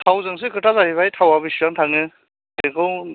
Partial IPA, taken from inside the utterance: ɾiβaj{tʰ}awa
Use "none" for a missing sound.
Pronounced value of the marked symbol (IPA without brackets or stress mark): tʰ